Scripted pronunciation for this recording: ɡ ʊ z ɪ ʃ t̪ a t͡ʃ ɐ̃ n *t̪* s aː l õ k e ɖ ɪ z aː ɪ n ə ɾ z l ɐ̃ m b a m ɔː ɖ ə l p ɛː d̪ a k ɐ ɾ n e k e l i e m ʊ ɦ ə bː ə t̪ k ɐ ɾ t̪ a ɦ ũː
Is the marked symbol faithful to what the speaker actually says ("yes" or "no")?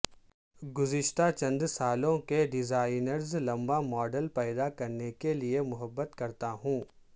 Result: no